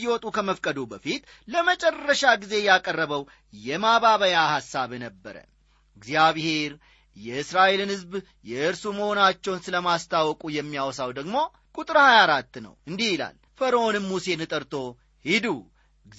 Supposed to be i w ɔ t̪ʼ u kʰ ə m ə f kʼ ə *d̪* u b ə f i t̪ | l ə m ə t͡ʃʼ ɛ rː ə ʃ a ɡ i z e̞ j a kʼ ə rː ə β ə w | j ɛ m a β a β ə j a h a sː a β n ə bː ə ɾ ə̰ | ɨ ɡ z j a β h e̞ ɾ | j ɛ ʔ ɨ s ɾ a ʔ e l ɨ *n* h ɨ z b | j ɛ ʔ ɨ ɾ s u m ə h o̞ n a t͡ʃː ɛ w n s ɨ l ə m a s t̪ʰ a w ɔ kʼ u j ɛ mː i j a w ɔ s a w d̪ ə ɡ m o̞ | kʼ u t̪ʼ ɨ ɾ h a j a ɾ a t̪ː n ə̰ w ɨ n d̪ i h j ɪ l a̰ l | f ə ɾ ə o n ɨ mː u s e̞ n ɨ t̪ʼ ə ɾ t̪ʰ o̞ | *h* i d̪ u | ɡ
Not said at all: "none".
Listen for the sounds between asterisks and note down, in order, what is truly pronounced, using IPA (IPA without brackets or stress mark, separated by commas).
d̪, n, h